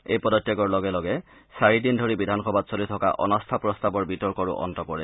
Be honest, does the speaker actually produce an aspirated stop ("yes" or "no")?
yes